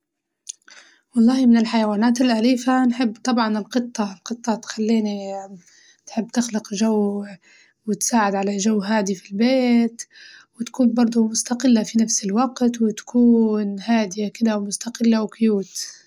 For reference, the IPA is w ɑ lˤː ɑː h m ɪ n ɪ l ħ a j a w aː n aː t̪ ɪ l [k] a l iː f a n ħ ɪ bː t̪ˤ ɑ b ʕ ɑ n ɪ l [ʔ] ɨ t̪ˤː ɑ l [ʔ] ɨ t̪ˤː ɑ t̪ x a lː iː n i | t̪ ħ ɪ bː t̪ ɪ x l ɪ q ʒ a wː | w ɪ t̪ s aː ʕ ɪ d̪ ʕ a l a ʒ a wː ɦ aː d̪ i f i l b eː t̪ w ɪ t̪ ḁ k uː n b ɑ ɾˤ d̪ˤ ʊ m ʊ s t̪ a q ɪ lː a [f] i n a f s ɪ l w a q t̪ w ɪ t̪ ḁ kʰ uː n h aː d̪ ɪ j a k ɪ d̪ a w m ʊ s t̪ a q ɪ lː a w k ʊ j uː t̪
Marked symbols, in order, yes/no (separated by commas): no, no, no, yes